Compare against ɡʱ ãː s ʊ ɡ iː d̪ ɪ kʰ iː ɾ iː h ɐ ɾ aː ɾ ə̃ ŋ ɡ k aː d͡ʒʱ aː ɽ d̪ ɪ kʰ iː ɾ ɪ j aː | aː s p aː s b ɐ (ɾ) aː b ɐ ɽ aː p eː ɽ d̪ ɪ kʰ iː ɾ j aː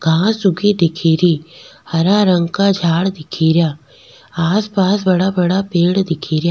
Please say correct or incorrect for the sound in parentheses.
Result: incorrect